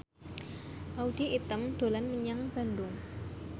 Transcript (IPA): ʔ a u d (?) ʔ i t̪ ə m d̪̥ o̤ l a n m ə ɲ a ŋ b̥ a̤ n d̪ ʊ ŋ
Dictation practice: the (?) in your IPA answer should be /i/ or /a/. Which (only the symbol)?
i